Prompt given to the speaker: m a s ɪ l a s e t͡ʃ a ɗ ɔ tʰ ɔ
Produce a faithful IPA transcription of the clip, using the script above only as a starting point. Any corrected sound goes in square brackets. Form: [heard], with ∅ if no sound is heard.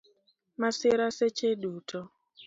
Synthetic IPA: m a s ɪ [ɾ] a s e t͡ʃ [e] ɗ [u] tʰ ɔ